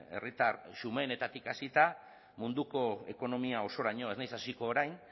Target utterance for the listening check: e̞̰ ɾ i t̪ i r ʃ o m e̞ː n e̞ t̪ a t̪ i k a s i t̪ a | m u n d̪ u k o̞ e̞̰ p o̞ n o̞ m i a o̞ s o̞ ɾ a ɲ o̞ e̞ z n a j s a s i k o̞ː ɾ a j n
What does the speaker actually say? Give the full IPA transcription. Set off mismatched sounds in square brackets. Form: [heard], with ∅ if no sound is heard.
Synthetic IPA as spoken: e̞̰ [r] i t̪ [a] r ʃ [u] m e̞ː n e̞ t̪ a t̪ i k a s i t̪ a | m u n d̪ u k o̞ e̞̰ [k] o̞ n o̞ m i a o̞ s o̞ ɾ a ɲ o̞ e̞ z n a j s a s i k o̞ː ɾ a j n